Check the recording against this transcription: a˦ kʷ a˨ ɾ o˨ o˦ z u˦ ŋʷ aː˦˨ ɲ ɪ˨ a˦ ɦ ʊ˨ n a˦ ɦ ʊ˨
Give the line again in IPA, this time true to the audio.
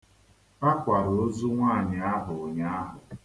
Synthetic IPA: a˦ kʷ a˨ ɾ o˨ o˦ z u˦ ŋʷ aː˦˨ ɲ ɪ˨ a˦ ɦ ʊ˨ ɲ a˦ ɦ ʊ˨